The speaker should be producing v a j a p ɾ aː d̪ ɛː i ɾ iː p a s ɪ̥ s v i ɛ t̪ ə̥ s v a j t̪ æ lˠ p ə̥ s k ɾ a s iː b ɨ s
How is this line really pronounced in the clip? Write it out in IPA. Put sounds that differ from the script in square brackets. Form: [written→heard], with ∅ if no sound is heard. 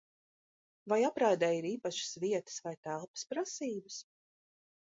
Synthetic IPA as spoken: v a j a p ɾ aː d̪ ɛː i ɾ iː p a [s→ʃ] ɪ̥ s v i ɛ t̪ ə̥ s v a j t̪ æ lˠ p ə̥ s [k→p] ɾ a s iː b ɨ s